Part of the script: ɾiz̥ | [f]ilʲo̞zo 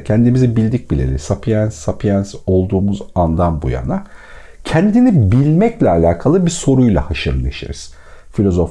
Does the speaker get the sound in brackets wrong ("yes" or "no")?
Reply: no